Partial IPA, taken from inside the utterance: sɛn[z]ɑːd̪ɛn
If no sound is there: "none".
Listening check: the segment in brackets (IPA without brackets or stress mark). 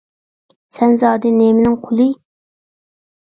z